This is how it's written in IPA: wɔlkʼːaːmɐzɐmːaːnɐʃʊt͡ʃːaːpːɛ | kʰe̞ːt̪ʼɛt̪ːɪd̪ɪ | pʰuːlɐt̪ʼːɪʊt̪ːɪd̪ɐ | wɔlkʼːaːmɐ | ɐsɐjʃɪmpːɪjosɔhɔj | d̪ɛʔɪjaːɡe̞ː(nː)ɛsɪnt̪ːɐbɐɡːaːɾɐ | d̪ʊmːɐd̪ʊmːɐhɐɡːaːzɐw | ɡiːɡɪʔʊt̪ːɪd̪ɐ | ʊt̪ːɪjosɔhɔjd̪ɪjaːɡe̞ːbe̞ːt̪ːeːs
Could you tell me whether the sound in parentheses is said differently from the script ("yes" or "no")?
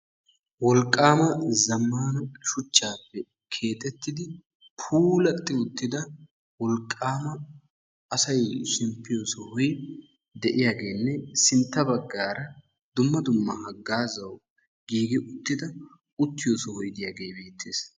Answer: no